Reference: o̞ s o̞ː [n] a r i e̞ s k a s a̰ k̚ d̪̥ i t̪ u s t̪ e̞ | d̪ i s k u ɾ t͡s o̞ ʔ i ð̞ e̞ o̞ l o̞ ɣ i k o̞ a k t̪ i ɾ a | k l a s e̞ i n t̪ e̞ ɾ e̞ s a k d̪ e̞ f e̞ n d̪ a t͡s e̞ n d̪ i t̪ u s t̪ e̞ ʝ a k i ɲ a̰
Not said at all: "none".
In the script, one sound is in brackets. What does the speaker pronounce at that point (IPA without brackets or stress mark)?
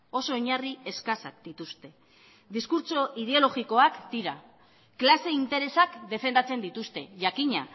ɲ